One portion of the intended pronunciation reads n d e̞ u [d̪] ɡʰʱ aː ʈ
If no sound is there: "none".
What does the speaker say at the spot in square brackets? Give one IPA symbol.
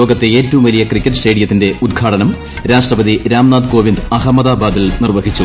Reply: d̪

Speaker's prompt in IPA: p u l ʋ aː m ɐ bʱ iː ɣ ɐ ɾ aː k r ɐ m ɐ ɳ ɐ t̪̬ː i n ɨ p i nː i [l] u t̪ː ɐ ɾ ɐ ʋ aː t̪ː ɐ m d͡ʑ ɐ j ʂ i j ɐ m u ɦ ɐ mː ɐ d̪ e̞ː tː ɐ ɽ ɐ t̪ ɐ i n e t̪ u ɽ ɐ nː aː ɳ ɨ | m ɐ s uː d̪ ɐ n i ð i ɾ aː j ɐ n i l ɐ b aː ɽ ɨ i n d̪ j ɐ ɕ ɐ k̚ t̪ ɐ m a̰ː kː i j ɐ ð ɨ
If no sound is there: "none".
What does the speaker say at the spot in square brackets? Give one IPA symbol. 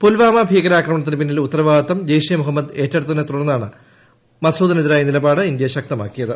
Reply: l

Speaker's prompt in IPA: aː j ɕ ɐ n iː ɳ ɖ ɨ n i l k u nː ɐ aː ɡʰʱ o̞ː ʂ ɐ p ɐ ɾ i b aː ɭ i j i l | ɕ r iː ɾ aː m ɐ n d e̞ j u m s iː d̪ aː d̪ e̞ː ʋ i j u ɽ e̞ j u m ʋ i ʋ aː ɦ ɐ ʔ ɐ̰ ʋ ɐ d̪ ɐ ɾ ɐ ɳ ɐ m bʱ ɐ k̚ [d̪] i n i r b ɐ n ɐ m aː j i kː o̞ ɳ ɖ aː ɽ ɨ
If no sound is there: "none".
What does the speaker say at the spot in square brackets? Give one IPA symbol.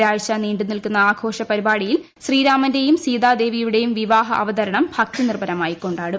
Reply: t̪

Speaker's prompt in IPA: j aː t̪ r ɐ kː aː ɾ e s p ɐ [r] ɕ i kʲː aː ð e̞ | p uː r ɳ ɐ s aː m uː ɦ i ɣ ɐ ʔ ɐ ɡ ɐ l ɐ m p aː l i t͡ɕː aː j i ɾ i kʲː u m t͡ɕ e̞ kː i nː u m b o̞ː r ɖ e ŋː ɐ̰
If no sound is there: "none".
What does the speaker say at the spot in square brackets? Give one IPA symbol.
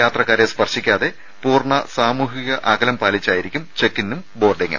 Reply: r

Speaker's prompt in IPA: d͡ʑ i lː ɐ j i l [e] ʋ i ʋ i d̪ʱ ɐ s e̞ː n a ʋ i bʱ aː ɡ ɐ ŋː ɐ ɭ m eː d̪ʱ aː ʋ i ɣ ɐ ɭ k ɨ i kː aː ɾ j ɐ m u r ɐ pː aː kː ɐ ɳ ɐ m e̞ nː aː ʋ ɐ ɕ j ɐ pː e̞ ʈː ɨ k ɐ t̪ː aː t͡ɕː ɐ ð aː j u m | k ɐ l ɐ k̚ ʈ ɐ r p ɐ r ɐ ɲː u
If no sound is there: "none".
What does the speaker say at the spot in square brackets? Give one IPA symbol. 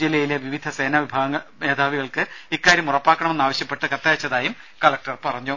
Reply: e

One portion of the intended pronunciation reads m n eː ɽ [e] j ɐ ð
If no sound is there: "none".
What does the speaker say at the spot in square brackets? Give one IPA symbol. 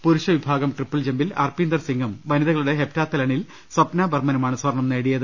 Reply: i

